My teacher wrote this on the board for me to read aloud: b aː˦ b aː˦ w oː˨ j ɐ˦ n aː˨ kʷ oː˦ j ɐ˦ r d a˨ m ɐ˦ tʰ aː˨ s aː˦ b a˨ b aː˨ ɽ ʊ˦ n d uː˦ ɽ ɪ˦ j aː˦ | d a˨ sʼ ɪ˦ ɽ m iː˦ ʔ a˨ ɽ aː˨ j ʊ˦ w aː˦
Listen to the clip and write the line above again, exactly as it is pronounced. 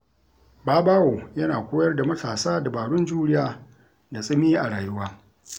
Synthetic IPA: b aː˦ b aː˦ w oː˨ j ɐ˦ n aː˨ kʷ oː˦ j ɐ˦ r d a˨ m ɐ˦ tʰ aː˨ s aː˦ d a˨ b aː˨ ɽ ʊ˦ n d͡ʒ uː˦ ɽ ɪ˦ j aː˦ | d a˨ sʼ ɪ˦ m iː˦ ʔ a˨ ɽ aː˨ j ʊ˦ w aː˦